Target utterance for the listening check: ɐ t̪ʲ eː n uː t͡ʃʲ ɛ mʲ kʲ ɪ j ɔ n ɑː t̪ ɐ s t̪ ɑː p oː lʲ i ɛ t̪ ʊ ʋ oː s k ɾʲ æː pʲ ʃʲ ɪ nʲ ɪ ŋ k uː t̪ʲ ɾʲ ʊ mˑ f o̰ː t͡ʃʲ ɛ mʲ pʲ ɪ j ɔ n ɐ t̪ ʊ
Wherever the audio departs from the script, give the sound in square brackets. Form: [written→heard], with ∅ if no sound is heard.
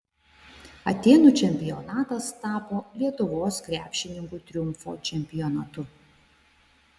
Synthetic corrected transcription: ɐ t̪ʲ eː n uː t͡ʃʲ ɛ mʲ [kʲ→pʲ] ɪ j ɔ n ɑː t̪ ɐ s t̪ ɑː p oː lʲ i ɛ t̪ ʊ ʋ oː s k ɾʲ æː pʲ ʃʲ ɪ nʲ ɪ ŋ k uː t̪ʲ ɾʲ ʊ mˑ f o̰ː t͡ʃʲ ɛ mʲ pʲ ɪ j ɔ n ɐ t̪ ʊ

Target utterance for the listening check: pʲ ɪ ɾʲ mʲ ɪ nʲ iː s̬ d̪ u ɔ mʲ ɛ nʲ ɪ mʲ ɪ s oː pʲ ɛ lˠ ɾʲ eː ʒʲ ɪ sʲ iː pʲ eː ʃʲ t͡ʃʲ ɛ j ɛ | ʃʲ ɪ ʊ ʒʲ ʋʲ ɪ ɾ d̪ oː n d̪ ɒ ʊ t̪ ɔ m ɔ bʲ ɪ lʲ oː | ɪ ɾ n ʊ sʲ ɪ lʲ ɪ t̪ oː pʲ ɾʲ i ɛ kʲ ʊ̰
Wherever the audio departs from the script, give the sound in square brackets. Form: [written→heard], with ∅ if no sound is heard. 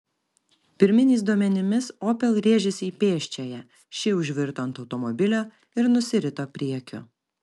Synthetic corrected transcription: pʲ ɪ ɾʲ mʲ ɪ nʲ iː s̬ d̪ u ɔ mʲ ɛ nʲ ɪ mʲ ɪ s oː pʲ ɛ lˠ ɾʲ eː ʒʲ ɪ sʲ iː pʲ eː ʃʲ t͡ʃʲ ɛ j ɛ | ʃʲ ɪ ʊ ʒʲ ʋʲ ɪ ɾ [d̪→t̪] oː n [d̪→t̪] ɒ ʊ t̪ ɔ m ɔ bʲ ɪ lʲ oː | ɪ ɾ n ʊ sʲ ɪ [lʲ→ɾʲ] ɪ t̪ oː pʲ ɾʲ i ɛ kʲ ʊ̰

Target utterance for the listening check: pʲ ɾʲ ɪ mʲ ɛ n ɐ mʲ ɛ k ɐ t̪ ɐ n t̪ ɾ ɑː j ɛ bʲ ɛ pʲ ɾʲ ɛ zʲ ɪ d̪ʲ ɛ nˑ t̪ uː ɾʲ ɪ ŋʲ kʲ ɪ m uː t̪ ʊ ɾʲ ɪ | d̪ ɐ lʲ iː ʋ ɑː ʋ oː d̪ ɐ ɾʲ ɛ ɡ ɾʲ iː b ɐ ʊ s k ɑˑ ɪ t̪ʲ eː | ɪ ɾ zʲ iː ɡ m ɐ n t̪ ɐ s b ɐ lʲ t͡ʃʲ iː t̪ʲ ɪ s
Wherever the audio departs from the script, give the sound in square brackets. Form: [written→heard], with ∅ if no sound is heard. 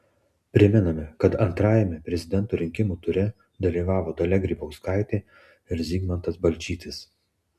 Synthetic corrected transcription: pʲ ɾʲ ɪ mʲ ɛ n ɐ mʲ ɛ k ɐ t̪ ɐ n t̪ ɾ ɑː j ɛ [bʲ→mʲ] ɛ pʲ ɾʲ ɛ zʲ ɪ d̪ʲ ɛ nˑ t̪ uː ɾʲ ɪ ŋʲ kʲ ɪ m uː t̪ ʊ ɾʲ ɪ | d̪ ɐ lʲ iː ʋ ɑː ʋ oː d̪ ɐ [ɾʲ→lʲ] ɛ ɡ ɾʲ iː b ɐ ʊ s k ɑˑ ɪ t̪ʲ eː | ɪ ɾ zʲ iː ɡ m ɐ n t̪ ɐ s b ɐ lʲ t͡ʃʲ iː t̪ʲ ɪ s

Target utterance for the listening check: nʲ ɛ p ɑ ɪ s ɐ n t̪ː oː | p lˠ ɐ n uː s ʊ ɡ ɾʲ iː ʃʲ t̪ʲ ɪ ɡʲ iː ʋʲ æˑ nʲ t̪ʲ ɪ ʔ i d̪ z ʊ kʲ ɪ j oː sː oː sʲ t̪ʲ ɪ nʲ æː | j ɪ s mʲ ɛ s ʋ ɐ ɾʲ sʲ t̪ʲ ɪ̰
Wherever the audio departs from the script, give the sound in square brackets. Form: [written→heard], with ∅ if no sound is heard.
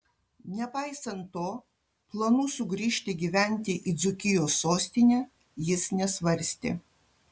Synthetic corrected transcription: nʲ ɛ p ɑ ɪ s ɐ n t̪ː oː | p lˠ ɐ n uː s ʊ ɡ ɾʲ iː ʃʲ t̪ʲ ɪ ɡʲ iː ʋʲ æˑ nʲ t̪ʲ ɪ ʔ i d̪ z ʊ kʲ ɪ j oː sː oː sʲ t̪ʲ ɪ nʲ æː | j ɪ s [mʲ→nʲ] ɛ s ʋ ɐ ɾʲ sʲ t̪ʲ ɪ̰

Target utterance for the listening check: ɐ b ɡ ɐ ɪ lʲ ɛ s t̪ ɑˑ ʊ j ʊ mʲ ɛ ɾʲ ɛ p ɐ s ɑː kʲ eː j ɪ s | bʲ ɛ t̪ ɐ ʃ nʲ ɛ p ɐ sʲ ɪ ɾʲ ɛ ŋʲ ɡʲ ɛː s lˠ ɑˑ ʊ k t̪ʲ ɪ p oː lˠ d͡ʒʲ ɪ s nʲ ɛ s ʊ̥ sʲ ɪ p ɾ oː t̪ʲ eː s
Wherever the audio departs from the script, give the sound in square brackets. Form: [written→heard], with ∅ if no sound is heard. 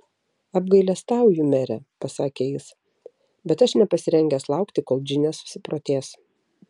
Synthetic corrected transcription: ɐ b ɡ ɐ ɪ lʲ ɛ s t̪ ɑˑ ʊ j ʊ mʲ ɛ ɾʲ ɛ p ɐ s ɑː kʲ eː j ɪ s | bʲ ɛ t̪ ɐ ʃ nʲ ɛ p ɐ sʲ ɪ ɾʲ ɛ ŋʲ ɡʲ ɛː s lˠ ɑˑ ʊ k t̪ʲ ɪ [p→k] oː lˠ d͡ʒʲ ɪ [s→∅] nʲ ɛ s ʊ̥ sʲ ɪ p ɾ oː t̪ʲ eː s

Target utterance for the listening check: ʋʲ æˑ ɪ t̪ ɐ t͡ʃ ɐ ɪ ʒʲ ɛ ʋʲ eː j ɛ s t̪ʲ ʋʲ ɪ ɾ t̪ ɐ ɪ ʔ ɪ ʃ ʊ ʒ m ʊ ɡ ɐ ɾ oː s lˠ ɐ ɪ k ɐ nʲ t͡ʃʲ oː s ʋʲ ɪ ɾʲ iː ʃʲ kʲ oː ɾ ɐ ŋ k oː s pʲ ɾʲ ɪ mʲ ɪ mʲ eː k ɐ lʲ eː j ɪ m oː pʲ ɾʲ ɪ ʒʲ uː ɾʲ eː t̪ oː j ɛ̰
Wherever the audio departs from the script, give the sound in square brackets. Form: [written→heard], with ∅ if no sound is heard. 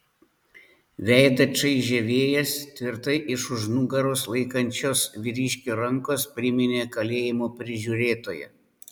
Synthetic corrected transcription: ʋʲ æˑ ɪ [t̪→d̪] ɐ t͡ʃ ɐ ɪ ʒʲ ɛ ʋʲ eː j ɛ s t̪ʲ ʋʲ ɪ ɾ t̪ ɐ ɪ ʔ ɪ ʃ ʊ ʒ [m→n] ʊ ɡ ɐ ɾ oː s lˠ ɐ ɪ k ɐ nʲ t͡ʃʲ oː s ʋʲ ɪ ɾʲ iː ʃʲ kʲ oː ɾ ɐ ŋ k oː s pʲ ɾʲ ɪ mʲ ɪ [mʲ→nʲ] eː k ɐ lʲ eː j ɪ m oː pʲ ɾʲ ɪ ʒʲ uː ɾʲ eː t̪ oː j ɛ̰

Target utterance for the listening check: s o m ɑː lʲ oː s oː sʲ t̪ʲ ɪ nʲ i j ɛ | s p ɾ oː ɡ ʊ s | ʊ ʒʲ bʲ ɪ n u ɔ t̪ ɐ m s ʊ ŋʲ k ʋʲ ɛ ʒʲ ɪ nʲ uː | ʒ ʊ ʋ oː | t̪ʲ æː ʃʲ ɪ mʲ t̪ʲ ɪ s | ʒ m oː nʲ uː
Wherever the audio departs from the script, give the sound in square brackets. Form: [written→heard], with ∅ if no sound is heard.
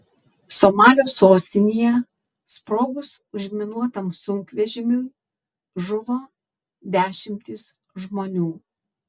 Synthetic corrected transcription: s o m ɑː lʲ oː s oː sʲ t̪ʲ ɪ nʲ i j ɛ | s p ɾ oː ɡ ʊ s | ʊ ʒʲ [bʲ→mʲ] ɪ n u ɔ t̪ ɐ m s ʊ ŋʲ k ʋʲ ɛ ʒʲ ɪ [nʲ→mʲ] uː | ʒ ʊ ʋ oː | [t̪ʲ→d̪ʲ] æː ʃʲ ɪ mʲ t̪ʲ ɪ s | ʒ m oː nʲ uː

